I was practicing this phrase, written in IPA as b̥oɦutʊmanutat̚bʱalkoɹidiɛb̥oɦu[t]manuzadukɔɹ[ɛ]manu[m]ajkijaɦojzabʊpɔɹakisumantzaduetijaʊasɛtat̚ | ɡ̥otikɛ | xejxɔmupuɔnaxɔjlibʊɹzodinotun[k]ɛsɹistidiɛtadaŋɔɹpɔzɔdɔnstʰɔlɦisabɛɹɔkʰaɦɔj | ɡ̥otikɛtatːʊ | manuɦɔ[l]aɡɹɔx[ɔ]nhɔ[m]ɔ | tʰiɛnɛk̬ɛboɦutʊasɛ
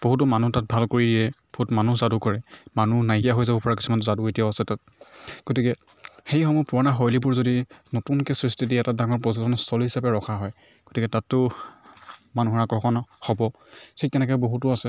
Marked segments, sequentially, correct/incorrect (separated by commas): correct, correct, incorrect, correct, incorrect, correct, incorrect